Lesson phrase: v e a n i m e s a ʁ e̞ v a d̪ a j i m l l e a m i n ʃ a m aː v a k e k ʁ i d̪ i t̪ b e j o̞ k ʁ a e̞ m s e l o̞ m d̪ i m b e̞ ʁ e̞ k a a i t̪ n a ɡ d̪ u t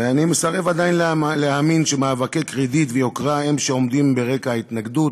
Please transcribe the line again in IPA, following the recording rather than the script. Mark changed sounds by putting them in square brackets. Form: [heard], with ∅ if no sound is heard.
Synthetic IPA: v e a n i m e s a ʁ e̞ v a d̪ a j i [n] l l e a m i n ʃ [e] m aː v a k e k ʁ i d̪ i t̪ [v] e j o̞ k ʁ a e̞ m [ʃ] e [∅] o̞ m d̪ i m b e̞ ʁ e̞ k a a i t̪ n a ɡ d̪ u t